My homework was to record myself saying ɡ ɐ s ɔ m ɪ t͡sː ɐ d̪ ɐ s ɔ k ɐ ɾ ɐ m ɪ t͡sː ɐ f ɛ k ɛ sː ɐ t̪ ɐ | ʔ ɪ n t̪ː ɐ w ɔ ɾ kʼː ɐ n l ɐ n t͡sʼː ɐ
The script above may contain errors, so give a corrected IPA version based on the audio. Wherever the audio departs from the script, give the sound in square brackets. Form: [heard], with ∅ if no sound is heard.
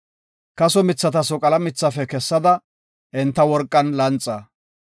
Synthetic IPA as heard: [k] ɐ s ɔ m ɪ t͡sː ɐ [t̪] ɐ s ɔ [kʼ] ɐ [l] ɐ m ɪ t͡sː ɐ f ɛ k ɛ sː ɐ [d̪] ɐ | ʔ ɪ n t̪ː ɐ w ɔ ɾ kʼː ɐ n l ɐ n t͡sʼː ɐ